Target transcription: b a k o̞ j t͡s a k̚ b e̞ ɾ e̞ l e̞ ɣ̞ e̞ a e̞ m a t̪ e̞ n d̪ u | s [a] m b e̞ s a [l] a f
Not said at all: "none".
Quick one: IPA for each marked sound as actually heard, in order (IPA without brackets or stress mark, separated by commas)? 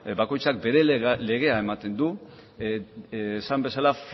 a, l